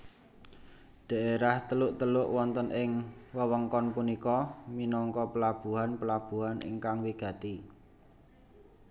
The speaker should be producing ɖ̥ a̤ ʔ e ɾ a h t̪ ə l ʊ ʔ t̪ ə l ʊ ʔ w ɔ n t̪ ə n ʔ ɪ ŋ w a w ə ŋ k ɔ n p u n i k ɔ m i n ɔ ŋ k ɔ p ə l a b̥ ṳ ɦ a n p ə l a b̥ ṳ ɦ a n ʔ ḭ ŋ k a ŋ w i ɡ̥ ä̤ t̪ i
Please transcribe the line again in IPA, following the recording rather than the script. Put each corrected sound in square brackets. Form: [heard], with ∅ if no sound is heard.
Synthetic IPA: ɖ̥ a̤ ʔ e ɾ a h t̪ ə l ʊ ʔ t̪ ə l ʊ ʔ w ɔ n t̪ ə n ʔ ɪ ŋ w [ə] w ə ŋ k ɔ n p u n i k ɔ m i n ɔ ŋ k ɔ p ə l a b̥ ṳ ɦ a n p ə l a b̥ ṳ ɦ a n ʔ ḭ ŋ k a ŋ w i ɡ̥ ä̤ t̪ i

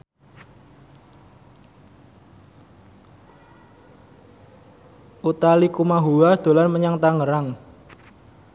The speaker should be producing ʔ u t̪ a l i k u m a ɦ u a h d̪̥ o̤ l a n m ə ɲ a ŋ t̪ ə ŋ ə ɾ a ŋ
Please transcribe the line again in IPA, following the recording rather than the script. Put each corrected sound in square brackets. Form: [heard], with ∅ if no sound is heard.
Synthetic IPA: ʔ u t̪ a l i k u m a ɦ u a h d̪̥ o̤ l a n m ə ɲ a ŋ t̪ [a] ŋ ə ɾ a ŋ

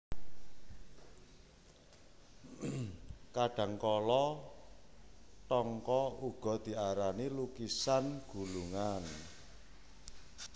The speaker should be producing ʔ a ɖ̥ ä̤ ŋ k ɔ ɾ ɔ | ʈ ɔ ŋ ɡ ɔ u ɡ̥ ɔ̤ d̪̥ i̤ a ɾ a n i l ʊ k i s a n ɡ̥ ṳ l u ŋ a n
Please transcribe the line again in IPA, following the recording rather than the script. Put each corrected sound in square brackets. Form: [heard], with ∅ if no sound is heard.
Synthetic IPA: [k] a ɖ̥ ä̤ ŋ k ɔ [l] ɔ | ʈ ɔ ŋ [k] ɔ u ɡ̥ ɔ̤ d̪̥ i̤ a ɾ a n i l [u] k i s a n ɡ̥ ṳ l u ŋ a n

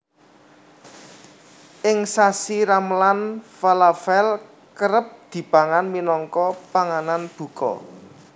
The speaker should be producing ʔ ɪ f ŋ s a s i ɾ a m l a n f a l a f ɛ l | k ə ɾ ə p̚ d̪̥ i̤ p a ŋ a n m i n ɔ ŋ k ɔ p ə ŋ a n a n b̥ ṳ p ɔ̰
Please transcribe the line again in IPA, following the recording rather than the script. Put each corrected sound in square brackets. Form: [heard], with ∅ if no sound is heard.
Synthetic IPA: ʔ ɪ [∅] ŋ s a s i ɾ a m l a n f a l a f ɛ l | k ə ɾ ə p̚ d̪̥ i̤ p a ŋ a n m i n ɔ ŋ k ɔ p [a] ŋ a n a n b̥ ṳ [k] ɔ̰

